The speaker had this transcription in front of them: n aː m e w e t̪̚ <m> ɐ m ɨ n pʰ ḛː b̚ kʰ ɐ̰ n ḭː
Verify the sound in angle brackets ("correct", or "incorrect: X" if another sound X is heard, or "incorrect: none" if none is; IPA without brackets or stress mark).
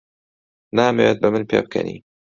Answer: incorrect: b